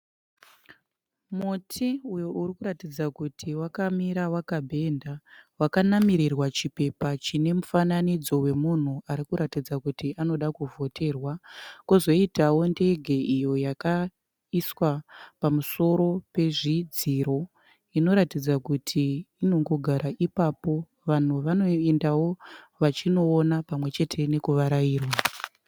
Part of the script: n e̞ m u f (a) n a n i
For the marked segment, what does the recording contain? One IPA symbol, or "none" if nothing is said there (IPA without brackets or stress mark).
a